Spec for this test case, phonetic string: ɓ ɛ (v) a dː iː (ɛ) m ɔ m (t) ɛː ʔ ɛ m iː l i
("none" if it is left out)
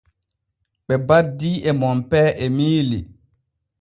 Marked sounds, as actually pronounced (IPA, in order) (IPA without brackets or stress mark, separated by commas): b, ɛ, p